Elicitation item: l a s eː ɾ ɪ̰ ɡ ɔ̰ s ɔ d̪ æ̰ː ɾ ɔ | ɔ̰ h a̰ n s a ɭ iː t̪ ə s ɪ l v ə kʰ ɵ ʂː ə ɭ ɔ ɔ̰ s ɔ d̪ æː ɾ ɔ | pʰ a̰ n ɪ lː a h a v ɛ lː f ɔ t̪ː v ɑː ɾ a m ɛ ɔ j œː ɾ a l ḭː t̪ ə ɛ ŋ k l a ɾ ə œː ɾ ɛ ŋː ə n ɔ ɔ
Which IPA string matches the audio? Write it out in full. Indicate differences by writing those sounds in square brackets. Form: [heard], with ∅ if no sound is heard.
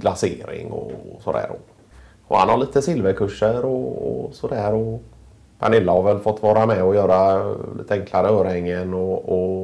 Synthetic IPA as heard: l a s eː ɾ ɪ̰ [ŋ] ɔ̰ s ɔ d̪ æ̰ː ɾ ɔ | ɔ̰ h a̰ n [h] a ɭ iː t̪ ə s ɪ l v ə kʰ ɵ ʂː ə [ɾ] ɔ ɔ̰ s ɔ d̪ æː ɾ ɔ | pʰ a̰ n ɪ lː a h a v ɛ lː f ɔ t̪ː v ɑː ɾ a m ɛ ɔ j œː ɾ a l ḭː t̪ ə ɛ ŋ k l a ɾ ə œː ɾ ɛ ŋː ə n ɔ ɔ